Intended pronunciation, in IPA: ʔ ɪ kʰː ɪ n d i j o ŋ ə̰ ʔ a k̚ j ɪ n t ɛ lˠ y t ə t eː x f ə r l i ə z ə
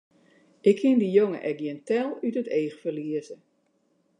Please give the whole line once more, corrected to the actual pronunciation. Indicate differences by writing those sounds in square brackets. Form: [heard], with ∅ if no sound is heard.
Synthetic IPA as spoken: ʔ ɪ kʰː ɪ n d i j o ŋ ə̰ ʔ [ɛ] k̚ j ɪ n t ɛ lˠ y t ə t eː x f ə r l i ə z ə